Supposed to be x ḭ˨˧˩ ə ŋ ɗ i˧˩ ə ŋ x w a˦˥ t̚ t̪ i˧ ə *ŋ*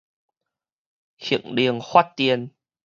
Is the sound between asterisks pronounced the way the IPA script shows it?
no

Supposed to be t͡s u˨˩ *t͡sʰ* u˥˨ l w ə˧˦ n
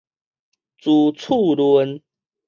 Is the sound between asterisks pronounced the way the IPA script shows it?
yes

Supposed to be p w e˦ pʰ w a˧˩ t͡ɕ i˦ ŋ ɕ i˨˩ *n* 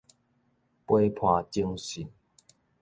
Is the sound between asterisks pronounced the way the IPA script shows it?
yes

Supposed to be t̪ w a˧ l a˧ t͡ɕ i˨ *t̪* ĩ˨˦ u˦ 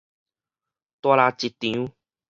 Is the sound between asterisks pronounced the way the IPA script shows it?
yes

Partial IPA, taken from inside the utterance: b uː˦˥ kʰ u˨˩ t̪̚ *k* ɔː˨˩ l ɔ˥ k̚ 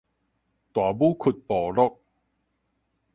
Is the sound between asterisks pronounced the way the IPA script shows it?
no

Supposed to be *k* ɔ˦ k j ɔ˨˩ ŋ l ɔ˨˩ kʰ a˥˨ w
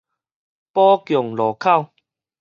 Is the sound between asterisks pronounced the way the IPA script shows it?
no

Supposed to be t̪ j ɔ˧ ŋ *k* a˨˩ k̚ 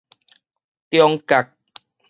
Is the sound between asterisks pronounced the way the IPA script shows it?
yes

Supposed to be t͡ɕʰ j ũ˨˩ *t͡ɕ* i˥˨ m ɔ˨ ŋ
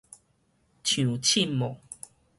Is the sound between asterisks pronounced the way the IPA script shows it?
no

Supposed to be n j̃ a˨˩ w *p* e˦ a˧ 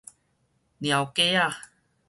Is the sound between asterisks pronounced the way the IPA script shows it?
no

